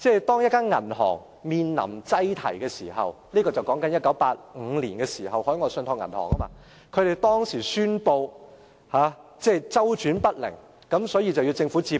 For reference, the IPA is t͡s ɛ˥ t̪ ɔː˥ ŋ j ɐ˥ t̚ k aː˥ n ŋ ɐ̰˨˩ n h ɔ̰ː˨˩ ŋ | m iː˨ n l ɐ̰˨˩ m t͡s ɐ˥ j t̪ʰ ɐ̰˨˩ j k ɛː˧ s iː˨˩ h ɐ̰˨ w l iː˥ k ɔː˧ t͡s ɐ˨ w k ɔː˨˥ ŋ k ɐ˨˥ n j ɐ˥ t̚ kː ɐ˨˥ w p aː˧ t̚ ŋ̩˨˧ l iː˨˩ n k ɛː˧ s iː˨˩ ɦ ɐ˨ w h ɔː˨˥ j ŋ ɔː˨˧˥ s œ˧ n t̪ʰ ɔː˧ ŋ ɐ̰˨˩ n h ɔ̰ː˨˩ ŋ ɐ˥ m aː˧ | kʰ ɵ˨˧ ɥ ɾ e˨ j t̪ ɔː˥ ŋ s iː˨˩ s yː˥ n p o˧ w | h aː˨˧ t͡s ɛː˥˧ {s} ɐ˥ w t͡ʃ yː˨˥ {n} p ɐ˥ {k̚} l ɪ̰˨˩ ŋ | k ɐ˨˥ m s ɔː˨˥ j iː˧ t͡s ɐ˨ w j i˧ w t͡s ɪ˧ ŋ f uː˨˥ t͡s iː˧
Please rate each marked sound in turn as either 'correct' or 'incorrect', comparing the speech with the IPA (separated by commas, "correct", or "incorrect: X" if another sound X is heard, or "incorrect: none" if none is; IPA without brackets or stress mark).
incorrect: t͡s, correct, incorrect: t̚